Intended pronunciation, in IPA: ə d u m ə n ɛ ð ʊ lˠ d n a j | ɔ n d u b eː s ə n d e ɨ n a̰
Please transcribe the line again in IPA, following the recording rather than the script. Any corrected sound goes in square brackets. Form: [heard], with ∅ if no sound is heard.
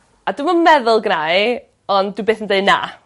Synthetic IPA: [a] d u m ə [m] ɛ ð ʊ lˠ [ɡ] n a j | ɔ n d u b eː [θ] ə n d e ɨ n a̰